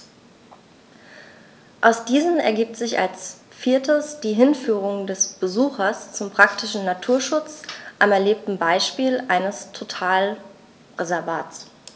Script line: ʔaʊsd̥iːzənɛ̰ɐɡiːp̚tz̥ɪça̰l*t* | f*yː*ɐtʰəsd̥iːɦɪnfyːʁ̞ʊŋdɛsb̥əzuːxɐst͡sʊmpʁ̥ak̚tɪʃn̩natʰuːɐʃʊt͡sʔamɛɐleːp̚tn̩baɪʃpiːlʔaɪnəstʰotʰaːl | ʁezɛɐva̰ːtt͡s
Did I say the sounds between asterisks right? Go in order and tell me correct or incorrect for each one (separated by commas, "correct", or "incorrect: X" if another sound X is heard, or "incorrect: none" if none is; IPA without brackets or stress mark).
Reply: incorrect: s, incorrect: iː